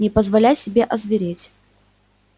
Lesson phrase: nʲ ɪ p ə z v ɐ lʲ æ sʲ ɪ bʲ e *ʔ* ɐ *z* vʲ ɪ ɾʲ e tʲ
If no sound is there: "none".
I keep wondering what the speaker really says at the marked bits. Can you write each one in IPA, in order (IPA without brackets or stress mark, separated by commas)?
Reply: ʔ, z